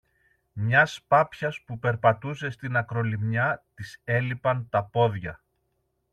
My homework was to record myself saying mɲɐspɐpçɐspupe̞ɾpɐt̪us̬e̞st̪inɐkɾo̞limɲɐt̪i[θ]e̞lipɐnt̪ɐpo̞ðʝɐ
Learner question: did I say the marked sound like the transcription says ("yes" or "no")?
no